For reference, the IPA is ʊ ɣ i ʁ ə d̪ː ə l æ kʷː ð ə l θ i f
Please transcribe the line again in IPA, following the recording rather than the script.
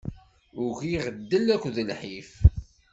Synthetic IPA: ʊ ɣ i ʁ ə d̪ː ə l æ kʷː ð ə l ħ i f